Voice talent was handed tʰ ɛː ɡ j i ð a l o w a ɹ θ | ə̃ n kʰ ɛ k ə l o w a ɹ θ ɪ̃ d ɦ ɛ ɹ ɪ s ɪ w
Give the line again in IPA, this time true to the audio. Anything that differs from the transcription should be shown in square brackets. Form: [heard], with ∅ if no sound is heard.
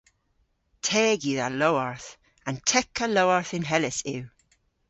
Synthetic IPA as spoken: tʰ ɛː ɡ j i ð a l o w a ɹ θ | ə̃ n [tʰ] ɛ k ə l o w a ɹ θ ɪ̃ [n] ɦ ɛ [l] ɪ s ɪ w